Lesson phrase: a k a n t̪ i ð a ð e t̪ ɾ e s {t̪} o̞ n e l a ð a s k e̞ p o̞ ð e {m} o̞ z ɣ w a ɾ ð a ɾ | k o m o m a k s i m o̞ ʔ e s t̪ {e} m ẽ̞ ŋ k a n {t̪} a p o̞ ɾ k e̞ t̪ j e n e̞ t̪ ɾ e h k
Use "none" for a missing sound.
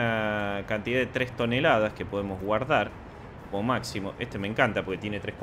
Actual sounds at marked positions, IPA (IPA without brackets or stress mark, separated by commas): t̪, m, e, t̪